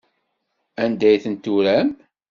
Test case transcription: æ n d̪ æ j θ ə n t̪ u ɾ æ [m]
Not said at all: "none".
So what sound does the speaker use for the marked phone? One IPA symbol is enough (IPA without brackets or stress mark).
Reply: m